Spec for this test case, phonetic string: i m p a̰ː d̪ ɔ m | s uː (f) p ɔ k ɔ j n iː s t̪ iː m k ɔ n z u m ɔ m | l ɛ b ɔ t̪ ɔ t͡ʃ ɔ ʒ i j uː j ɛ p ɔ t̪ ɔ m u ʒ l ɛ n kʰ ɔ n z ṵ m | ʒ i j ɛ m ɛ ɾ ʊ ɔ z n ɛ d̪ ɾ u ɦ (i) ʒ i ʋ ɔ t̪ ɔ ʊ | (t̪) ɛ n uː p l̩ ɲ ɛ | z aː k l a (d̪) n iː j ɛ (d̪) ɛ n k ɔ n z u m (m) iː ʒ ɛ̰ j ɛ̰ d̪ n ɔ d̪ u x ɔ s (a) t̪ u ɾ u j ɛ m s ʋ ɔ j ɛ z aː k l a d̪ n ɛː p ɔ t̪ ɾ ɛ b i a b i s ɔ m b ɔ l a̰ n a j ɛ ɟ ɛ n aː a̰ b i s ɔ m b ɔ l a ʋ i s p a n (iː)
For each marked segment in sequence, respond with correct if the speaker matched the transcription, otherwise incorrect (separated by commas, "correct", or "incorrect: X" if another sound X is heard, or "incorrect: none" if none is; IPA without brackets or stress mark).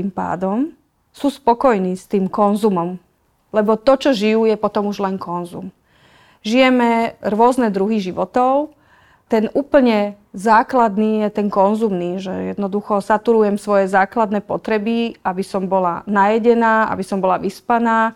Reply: incorrect: s, correct, correct, correct, incorrect: t̪, incorrect: n, correct, incorrect: aː